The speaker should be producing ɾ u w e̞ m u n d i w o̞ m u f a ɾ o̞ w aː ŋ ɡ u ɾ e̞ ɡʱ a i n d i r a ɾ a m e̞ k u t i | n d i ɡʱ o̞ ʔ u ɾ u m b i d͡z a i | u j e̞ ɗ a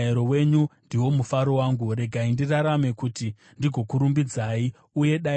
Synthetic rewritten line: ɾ o w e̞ ɲ u n d i w o̞ m u f a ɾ o̞ w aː ŋ ɡ u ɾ e̞ ɡʱ a i n d i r a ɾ a m e̞ k u t i | n d i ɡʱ o̞ k u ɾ u m b i d͡z a i | u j e̞ ɗ a